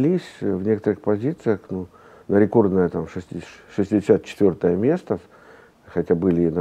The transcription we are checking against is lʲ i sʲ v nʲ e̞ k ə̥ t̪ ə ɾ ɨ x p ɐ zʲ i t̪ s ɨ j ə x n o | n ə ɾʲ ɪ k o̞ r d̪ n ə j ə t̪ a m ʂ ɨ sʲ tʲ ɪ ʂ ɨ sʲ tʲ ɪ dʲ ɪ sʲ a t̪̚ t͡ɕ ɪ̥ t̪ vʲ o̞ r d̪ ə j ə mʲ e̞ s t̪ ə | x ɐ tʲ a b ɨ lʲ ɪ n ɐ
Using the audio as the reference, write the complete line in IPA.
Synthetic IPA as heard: lʲ i sʲ v nʲ e̞ k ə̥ t̪ ə ɾ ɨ x p ɐ zʲ i t̪ s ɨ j ə x n u | n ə ɾʲ ɪ k o̞ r d̪ n ə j ə t̪ a m ʂ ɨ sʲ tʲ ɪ ʂ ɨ sʲ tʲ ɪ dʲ ɪ sʲ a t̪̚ t͡ɕ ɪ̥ t̪ vʲ o̞ r t̪ ə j ə mʲ e̞ s t̪ ə | x ɐ tʲ a b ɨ lʲ ɪ n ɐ

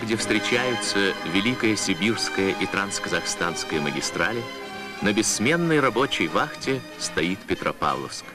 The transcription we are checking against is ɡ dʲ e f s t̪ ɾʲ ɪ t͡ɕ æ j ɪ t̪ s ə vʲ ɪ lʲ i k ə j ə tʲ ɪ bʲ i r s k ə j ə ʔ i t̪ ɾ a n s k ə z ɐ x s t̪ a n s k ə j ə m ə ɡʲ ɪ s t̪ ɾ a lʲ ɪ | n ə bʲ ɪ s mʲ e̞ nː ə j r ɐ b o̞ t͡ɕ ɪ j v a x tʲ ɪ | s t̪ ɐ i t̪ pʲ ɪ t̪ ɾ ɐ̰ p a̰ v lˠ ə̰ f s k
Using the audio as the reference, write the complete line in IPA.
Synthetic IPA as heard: ɡ dʲ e f s t̪ ɾʲ ɪ t͡ɕ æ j ɪ t̪ s ə vʲ ɪ lʲ i k ə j ə sʲ ɪ bʲ i r s k ə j ə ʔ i t̪ ɾ a n s k ə z ɐ x s t̪ a n s k ə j ə m ə ɡʲ ɪ s t̪ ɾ a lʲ ɪ | n ə bʲ ɪ s mʲ e̞ nː ə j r ɐ b o̞ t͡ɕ ɪ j v a x tʲ ɪ | s t̪ ɐ i t̪ pʲ ɪ t̪ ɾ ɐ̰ p a̰ v lˠ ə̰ f s k

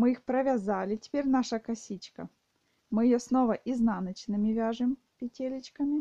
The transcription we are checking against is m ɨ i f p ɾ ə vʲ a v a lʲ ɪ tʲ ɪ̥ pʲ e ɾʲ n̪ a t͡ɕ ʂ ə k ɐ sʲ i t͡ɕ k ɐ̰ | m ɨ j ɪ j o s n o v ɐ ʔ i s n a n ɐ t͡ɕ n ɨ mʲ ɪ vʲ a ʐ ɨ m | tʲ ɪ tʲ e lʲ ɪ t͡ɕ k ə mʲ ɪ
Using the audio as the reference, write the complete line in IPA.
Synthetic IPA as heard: m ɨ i x p ɾ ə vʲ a z a lʲ ɪ tʲ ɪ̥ pʲ e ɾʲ n̪ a ʂ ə k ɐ sʲ i t͡ɕ k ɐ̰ | m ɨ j ɪ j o s n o v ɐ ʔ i z n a n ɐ t͡ɕ n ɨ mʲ ɪ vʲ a ʐ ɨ m | pʲ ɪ tʲ e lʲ ɪ t͡ɕ k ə mʲ ɪ

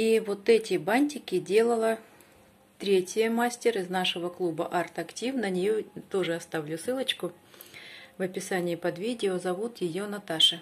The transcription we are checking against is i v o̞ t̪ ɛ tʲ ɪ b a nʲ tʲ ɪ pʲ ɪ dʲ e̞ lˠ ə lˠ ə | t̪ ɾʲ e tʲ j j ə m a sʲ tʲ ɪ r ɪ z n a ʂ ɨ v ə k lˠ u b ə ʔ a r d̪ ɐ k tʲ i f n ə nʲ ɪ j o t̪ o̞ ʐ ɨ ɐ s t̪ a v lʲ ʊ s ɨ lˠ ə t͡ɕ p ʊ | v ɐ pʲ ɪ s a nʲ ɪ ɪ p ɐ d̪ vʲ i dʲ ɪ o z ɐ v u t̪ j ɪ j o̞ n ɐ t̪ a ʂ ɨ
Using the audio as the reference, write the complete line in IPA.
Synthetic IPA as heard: i v o̞ t̪ ɛ tʲ ɪ b a nʲ tʲ ɪ kʲ ɪ dʲ e̞ lˠ ə lˠ ə | t̪ ɾʲ e tʲ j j ə m a sʲ tʲ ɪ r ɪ z n a ʂ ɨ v ə k lˠ u b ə ʔ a r t̪ ɐ k tʲ i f n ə nʲ ɪ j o t̪ o̞ ʐ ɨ ɐ s t̪ a v lʲ ʊ s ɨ lˠ ə t͡ɕ k ʊ | v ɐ pʲ ɪ s a nʲ ɪ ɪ p ɐ d̪ vʲ i dʲ ɪ o z ɐ v u t̪ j ɪ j o̞ n ɐ t̪ a ʂ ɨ

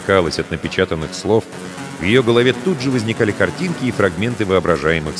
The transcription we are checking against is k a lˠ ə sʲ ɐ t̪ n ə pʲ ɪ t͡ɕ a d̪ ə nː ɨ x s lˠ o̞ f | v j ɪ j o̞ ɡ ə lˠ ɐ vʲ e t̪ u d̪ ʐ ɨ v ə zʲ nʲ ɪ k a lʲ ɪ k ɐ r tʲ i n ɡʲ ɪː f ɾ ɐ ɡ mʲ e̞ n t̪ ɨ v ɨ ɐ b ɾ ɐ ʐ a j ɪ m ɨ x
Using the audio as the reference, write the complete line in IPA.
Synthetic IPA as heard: k a lˠ ə sʲ ɐ t̪ n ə pʲ ɪ t͡ɕ a t̪ ə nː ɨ x s lˠ o̞ f | v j ɪ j o̞ ɡ ə lˠ ɐ vʲ e t̪ u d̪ ʐ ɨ v ə zʲ nʲ ɪ k a lʲ ɪ k ɐ r tʲ i n kʲ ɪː f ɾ ɐ ɡ mʲ e̞ n t̪ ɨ v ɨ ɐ b ɾ ɐ ʐ a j ɪ m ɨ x

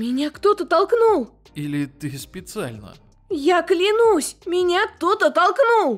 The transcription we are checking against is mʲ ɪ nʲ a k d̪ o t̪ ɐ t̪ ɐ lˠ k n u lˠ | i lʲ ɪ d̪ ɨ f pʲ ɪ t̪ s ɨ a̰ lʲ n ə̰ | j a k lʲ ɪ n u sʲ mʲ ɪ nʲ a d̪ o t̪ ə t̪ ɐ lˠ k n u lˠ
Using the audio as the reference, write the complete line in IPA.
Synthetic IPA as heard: mʲ ɪ nʲ a k t̪ o t̪ ə t̪ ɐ lˠ k n u lˠ | i lʲ ɪ t̪ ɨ s pʲ ɪ t̪ s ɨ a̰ lʲ n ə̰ | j a k lʲ ɪ n u sʲ mʲ ɪ nʲ a t̪ o t̪ ə t̪ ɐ lˠ k n u lˠ

